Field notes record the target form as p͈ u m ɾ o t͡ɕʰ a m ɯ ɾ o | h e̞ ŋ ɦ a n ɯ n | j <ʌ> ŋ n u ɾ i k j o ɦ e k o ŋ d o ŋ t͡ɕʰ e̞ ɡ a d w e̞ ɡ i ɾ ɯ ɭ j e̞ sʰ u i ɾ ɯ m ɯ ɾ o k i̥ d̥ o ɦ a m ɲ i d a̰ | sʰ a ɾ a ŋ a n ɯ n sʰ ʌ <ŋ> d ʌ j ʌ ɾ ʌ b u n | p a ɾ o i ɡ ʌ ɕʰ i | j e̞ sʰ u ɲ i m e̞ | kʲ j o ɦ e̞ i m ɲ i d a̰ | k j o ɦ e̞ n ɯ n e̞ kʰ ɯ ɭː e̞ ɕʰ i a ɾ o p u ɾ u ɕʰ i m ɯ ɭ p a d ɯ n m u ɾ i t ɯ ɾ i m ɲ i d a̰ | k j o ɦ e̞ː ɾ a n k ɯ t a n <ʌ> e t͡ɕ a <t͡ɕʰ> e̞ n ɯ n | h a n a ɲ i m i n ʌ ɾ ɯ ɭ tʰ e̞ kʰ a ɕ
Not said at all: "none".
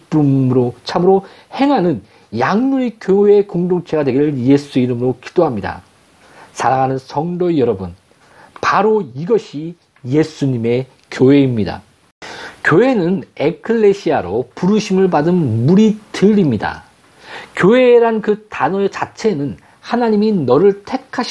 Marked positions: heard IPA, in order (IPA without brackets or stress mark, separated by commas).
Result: a, ŋ, ʌ, t͡ɕʰ